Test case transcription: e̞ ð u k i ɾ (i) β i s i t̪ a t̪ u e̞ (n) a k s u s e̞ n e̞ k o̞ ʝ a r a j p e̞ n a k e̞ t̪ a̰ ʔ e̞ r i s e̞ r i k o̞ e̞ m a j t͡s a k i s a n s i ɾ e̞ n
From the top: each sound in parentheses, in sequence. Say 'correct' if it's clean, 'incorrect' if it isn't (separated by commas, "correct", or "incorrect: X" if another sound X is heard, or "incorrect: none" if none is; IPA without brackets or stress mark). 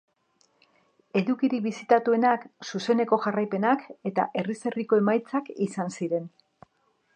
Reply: correct, correct